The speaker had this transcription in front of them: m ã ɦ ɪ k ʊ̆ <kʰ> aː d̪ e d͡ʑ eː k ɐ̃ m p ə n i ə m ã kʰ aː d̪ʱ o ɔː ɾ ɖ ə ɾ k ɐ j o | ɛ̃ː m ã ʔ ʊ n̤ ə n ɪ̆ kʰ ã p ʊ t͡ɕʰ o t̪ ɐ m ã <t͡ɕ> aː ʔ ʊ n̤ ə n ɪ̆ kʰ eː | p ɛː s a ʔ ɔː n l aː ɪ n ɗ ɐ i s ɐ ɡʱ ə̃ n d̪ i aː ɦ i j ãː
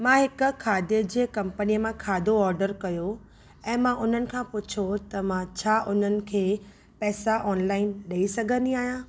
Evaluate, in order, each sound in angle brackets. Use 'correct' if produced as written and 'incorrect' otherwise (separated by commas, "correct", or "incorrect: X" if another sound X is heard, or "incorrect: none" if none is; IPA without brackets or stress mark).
correct, incorrect: t͡ɕʰ